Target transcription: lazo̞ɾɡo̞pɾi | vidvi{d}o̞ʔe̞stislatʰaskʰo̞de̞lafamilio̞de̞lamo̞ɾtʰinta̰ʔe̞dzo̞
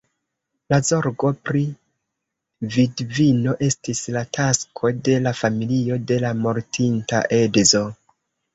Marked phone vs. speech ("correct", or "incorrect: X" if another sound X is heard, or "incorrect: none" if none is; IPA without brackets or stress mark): incorrect: n